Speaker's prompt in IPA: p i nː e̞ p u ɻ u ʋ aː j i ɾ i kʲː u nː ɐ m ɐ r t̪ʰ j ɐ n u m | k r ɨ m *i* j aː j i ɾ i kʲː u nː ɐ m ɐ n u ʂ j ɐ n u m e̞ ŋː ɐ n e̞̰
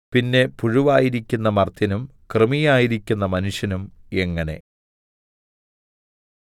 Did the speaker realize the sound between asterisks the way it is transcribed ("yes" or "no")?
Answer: yes